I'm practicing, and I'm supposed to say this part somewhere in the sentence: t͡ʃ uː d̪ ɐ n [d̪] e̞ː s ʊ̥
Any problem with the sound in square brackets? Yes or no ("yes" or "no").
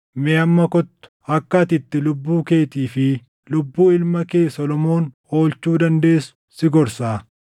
no